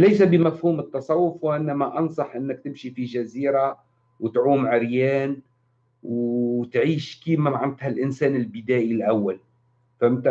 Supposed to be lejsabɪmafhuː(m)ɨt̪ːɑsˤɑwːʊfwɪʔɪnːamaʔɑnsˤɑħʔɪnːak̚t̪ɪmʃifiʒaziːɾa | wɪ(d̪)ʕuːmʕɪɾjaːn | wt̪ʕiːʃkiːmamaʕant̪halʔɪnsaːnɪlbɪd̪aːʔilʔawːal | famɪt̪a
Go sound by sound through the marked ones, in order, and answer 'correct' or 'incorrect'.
correct, incorrect

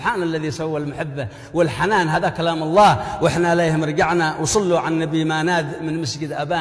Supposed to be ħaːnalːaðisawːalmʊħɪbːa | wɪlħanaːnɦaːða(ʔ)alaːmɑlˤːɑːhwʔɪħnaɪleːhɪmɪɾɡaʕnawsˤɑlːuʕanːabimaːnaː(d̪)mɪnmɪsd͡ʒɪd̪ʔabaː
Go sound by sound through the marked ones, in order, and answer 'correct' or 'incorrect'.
incorrect, correct

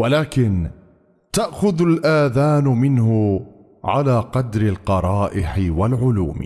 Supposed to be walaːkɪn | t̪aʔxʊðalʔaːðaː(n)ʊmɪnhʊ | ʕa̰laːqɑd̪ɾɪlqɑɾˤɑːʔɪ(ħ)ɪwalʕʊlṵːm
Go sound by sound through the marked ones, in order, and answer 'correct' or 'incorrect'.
correct, correct

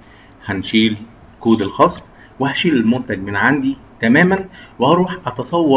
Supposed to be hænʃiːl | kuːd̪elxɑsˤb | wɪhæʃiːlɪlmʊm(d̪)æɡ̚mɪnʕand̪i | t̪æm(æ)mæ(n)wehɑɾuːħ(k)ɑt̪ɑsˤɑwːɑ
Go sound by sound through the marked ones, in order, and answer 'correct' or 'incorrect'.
incorrect, incorrect, correct, incorrect

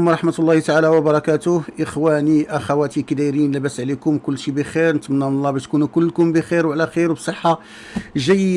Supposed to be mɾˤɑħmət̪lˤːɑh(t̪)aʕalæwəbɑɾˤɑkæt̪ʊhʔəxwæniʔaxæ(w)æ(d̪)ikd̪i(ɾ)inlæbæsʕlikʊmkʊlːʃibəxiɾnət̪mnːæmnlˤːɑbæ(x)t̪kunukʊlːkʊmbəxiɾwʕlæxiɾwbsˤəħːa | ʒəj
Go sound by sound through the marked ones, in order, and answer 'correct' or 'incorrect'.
correct, correct, incorrect, correct, incorrect

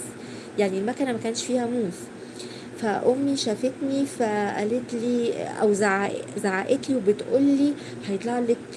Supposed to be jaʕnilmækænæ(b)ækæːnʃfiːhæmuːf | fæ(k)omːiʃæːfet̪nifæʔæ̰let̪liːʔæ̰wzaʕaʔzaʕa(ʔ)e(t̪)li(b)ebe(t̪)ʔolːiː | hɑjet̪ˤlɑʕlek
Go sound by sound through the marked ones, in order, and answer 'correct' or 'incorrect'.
incorrect, incorrect, correct, correct, incorrect, correct

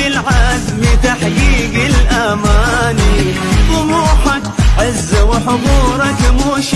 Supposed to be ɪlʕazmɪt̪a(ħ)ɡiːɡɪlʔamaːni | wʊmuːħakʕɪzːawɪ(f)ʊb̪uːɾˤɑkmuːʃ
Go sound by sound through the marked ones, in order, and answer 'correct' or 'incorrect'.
correct, incorrect

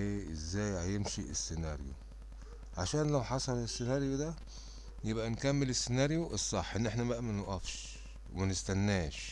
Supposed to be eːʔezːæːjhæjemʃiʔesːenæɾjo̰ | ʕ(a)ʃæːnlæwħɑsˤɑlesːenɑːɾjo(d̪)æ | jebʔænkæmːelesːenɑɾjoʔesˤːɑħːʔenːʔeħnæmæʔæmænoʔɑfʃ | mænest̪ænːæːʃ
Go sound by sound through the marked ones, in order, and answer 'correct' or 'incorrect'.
correct, correct

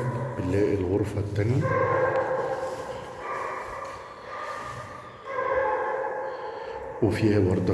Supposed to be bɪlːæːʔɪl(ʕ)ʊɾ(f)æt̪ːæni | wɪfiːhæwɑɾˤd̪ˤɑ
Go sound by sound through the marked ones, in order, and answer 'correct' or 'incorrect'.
incorrect, correct

